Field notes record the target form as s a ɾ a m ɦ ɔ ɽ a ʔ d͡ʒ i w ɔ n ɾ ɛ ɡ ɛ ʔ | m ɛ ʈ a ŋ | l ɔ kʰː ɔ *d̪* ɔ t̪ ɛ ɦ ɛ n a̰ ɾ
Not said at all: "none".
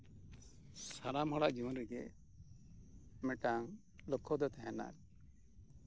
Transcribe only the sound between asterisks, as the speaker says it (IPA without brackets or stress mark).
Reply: d̪